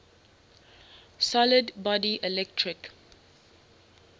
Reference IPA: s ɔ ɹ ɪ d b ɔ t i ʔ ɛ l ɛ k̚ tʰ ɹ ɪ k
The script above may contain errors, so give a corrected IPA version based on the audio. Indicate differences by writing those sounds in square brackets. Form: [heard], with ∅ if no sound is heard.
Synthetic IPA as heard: s ɔ [l] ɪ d b ɔ [d] i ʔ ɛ l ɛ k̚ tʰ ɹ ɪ k